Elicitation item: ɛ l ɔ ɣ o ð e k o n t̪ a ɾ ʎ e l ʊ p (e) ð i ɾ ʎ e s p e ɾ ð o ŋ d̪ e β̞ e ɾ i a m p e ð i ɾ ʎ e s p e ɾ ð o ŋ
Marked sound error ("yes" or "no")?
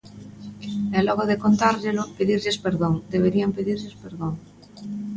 no